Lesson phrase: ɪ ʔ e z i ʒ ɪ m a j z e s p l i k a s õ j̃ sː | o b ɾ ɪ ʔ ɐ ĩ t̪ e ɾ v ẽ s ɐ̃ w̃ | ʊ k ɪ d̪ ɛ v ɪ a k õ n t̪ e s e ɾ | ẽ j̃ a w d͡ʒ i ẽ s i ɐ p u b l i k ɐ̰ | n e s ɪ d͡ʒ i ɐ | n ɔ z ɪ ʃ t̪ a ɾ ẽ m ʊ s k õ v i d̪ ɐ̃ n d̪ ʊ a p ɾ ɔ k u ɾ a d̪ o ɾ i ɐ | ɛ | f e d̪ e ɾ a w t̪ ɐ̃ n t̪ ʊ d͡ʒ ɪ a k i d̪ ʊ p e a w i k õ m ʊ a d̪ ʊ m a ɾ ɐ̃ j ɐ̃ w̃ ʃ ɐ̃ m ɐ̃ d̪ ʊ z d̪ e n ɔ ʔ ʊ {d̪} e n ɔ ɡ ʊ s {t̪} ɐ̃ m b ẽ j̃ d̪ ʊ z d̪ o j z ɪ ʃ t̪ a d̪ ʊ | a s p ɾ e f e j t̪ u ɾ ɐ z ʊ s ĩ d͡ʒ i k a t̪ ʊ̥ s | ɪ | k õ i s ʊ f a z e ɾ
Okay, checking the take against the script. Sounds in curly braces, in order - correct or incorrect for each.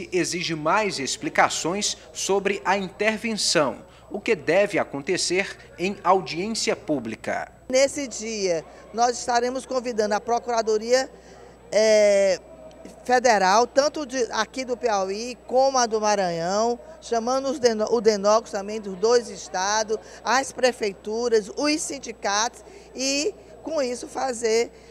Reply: correct, correct

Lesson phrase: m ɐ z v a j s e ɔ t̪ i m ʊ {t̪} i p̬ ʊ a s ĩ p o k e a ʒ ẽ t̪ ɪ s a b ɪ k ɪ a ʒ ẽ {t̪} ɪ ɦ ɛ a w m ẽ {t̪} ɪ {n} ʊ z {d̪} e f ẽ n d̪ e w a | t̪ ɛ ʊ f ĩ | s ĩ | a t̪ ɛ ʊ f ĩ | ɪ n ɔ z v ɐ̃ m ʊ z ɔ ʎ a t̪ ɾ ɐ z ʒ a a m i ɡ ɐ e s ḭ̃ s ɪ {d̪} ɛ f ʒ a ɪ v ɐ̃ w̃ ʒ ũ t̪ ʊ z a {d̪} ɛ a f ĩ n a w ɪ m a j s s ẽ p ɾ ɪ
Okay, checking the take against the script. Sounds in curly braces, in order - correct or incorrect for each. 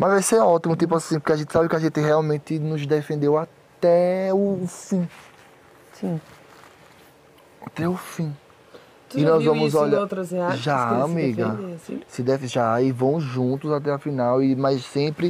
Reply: correct, correct, correct, correct, correct, correct, incorrect: t̪

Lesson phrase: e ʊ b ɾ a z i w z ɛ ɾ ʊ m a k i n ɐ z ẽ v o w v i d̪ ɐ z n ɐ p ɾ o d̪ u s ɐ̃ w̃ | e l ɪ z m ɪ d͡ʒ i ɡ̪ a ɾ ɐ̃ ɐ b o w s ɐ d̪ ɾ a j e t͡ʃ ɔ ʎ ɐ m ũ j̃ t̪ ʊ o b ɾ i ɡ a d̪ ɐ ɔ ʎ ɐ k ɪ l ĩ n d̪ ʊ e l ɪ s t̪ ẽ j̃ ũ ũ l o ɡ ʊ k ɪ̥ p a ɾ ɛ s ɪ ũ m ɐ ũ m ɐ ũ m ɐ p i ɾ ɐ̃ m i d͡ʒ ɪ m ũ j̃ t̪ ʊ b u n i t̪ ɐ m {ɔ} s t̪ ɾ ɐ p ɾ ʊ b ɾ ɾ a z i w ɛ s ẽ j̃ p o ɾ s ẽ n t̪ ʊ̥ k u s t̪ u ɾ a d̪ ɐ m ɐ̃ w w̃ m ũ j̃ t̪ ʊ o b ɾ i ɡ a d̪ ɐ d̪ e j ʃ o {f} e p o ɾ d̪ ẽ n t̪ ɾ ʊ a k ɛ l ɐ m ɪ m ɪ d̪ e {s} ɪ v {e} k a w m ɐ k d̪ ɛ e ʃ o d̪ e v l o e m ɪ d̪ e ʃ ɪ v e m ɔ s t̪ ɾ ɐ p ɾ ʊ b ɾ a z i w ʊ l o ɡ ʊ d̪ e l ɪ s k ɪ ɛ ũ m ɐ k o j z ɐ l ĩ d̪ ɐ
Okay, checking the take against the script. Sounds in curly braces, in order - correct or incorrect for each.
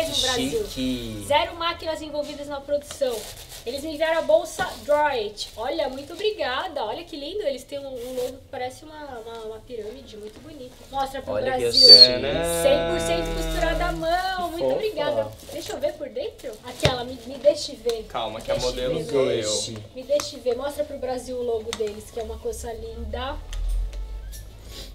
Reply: correct, incorrect: v, incorrect: ʃ, correct

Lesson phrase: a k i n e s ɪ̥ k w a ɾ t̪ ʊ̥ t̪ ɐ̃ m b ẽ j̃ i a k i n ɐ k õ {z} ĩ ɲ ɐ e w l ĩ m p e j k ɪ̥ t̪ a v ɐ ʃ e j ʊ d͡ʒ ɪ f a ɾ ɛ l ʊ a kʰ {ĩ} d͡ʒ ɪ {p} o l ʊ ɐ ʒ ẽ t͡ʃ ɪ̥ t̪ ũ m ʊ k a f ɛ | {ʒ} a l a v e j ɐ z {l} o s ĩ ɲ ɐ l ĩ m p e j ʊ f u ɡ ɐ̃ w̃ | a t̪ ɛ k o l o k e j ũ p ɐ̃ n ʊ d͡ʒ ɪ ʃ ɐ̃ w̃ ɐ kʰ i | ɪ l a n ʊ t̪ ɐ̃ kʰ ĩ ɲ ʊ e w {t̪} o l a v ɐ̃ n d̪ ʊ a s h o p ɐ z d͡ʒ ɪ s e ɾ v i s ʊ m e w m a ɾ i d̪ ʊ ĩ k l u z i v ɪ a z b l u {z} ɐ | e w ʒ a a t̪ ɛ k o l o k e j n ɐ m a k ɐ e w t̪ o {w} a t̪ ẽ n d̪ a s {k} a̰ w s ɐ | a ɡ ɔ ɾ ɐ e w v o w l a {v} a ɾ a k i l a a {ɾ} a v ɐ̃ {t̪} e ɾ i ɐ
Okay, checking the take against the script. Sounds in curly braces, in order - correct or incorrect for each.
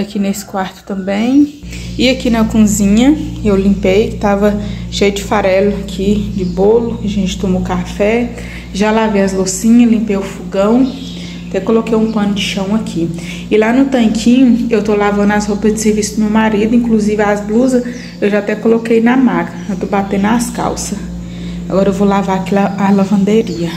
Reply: correct, incorrect: i, incorrect: b, correct, correct, correct, correct, incorrect: b, correct, correct, incorrect: l, incorrect: d̪

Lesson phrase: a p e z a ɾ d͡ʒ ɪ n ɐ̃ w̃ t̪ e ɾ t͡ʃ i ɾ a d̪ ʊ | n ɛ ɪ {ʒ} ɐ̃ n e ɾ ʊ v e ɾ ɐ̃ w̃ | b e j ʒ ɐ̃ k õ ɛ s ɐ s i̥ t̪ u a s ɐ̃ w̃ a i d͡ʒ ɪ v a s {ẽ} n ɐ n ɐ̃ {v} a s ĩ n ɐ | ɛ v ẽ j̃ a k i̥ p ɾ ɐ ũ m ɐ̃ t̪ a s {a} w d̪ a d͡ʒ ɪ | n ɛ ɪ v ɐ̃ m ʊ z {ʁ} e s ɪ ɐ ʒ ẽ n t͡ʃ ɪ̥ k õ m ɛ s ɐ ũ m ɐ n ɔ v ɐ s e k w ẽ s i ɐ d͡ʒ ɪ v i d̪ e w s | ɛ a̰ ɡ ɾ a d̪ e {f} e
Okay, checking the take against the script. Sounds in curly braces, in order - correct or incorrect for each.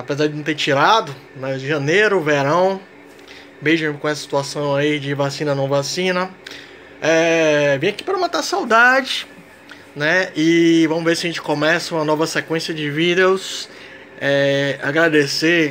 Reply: correct, incorrect: ĩ, correct, correct, incorrect: v, incorrect: s

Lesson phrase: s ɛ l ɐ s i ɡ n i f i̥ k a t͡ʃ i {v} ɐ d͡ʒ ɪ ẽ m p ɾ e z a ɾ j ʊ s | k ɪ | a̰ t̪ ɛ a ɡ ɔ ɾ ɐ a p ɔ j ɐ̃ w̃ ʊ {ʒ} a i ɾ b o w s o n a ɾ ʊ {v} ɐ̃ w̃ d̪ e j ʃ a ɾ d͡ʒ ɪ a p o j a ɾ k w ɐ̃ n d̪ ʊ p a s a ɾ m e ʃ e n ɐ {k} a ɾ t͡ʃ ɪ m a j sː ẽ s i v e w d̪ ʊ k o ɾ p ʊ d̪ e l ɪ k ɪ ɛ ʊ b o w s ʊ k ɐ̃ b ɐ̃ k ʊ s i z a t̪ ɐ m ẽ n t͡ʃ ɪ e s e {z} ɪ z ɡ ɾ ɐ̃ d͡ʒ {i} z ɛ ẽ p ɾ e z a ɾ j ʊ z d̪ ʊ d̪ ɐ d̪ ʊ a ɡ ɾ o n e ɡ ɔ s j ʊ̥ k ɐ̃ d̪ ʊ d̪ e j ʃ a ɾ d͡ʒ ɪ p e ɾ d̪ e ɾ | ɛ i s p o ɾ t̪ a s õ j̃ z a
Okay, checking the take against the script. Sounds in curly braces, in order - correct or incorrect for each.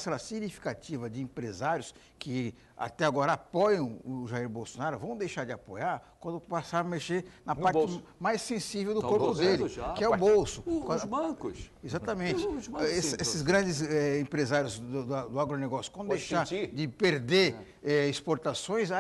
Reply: correct, correct, correct, incorrect: p, incorrect: s, incorrect: ɪ

